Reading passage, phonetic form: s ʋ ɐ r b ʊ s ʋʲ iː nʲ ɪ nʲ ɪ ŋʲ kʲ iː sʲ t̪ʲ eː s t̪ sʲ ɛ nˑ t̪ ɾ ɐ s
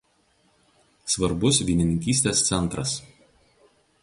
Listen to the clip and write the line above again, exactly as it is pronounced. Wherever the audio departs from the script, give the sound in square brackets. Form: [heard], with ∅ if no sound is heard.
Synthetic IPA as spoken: s ʋ ɐ [ɾ] b ʊ s ʋʲ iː nʲ ɪ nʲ ɪ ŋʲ kʲ iː sʲ t̪ʲ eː s t̪ sʲ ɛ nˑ t̪ ɾ ɐ s